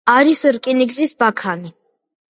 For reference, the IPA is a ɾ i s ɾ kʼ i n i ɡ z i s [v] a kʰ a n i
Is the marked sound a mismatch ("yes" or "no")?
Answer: yes